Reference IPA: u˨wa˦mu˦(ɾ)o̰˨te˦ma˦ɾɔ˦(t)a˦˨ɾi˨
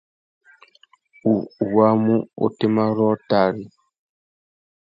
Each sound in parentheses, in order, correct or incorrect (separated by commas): incorrect, correct